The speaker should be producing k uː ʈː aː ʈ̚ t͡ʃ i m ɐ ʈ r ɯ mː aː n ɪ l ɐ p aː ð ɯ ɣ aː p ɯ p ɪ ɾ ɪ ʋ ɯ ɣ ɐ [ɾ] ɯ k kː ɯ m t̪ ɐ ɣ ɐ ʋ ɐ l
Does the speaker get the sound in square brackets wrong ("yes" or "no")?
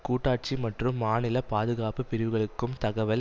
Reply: yes